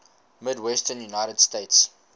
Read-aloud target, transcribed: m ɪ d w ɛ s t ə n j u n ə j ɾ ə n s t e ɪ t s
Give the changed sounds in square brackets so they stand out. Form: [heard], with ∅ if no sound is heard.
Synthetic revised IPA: m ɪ d w ɛ s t ə n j u n [a] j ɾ ə [d] s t e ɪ t s